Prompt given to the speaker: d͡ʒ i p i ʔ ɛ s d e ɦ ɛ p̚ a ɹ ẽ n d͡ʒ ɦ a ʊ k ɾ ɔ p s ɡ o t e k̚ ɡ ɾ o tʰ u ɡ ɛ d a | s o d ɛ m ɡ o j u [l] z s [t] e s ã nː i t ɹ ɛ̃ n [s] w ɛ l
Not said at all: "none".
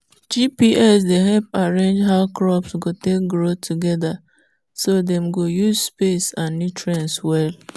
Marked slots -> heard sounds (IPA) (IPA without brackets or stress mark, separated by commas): none, p, s